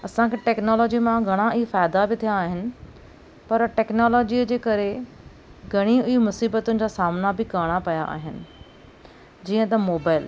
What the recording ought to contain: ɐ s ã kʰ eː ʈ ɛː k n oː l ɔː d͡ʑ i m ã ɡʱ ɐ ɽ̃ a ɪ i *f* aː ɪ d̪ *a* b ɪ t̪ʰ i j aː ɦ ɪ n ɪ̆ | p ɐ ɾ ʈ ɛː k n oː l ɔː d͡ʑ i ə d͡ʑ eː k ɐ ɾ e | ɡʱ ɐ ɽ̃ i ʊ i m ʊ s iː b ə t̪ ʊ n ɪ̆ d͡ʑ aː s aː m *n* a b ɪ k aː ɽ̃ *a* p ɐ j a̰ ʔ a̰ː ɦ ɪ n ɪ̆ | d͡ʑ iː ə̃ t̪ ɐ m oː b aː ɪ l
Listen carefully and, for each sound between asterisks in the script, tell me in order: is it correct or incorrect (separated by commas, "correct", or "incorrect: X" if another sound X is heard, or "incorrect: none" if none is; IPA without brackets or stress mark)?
correct, correct, correct, correct